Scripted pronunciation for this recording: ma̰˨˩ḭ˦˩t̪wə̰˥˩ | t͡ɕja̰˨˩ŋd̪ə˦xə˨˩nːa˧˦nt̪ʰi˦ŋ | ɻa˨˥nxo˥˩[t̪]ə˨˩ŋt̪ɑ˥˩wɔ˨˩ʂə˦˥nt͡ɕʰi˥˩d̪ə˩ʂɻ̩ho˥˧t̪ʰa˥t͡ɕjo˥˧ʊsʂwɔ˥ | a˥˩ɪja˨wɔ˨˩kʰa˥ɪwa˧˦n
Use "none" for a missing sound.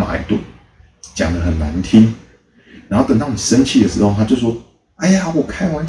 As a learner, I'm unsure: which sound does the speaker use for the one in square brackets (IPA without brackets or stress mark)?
t̪